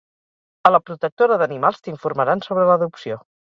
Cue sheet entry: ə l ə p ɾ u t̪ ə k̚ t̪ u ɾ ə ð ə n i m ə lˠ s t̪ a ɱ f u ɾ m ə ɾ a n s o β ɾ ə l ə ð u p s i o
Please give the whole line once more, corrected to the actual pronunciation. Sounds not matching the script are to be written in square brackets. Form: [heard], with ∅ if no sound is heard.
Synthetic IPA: ə l ə p ɾ u t̪ ə k̚ t̪ [o] ɾ ə ð ə n i m [a] lˠ s t̪ [i] ɱ f u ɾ m ə ɾ a n s o β ɾ ə l ə ð u p s i o